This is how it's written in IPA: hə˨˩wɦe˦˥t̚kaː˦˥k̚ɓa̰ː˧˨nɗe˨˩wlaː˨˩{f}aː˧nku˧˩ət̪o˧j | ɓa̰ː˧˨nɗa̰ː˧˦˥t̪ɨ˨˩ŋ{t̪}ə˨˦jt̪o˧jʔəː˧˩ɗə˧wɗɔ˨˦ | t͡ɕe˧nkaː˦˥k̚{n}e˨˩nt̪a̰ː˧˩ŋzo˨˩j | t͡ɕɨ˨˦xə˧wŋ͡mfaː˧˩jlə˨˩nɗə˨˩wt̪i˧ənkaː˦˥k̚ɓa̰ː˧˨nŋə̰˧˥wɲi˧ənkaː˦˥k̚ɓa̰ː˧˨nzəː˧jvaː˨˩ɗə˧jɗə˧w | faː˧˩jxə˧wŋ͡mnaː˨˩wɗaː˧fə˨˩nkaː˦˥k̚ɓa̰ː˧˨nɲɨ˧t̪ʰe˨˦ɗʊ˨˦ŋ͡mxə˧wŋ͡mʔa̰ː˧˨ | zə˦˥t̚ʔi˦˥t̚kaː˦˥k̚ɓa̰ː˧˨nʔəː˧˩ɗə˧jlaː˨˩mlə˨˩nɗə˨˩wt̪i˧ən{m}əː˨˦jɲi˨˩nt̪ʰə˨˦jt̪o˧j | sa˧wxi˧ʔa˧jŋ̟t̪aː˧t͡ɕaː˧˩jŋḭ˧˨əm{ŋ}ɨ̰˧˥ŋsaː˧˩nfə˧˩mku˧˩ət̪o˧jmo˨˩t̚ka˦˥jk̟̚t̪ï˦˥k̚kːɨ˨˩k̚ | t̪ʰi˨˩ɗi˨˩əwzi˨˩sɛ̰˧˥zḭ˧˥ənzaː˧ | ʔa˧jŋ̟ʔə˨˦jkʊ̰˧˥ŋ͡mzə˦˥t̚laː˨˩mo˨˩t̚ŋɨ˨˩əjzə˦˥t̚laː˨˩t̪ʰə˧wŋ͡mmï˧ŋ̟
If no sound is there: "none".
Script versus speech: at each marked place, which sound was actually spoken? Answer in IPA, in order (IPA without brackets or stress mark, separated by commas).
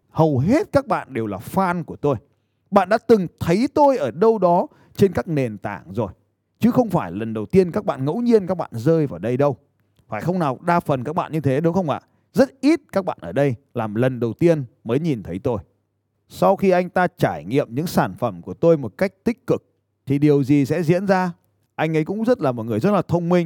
f, t̪ʰ, n, m, ɲ